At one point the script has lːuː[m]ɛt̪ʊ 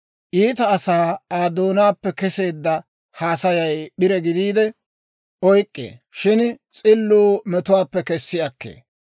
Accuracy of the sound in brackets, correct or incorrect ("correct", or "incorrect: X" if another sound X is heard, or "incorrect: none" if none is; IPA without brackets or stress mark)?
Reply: correct